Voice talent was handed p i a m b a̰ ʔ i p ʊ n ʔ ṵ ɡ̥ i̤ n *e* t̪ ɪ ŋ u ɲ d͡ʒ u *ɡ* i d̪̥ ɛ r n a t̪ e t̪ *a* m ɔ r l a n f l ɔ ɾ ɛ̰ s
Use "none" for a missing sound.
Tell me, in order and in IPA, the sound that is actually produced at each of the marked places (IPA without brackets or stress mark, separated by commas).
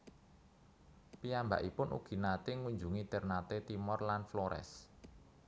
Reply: a, ŋ, i